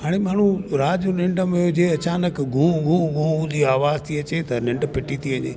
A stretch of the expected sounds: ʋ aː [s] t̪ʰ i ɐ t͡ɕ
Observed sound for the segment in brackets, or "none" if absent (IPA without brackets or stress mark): z